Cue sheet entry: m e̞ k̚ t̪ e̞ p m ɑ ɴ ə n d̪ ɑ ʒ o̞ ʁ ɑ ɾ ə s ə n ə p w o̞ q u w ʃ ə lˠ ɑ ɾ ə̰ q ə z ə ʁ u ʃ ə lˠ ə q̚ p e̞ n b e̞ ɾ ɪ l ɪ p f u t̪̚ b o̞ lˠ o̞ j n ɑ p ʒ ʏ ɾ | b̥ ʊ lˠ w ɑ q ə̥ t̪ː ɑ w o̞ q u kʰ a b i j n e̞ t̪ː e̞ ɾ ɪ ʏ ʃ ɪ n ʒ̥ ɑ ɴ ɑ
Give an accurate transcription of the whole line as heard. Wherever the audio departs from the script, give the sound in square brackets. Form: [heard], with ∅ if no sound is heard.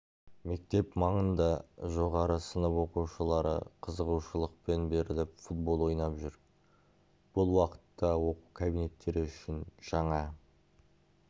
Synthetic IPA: m e̞ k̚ t̪ e̞ p m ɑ ɴ ə n d̪ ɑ ʒ o̞ ʁ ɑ ɾ ə s ə n ə p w o̞ q u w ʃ ə lˠ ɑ ɾ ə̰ [qʰ] ə z ə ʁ u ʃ ə lˠ ə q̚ p e̞ n b e̞ ɾ ɪ l ɪ p f u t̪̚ b o̞ lˠ o̞ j n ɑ p ʒ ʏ ɾ | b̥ ʊ lˠ w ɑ q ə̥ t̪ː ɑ w o̞ q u kʰ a b i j n e̞ t̪ː e̞ ɾ ɪ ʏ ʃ ɪ n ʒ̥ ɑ ɴ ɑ